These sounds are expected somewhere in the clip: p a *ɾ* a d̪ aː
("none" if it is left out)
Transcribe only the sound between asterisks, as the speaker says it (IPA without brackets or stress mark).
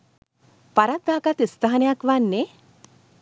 ɾ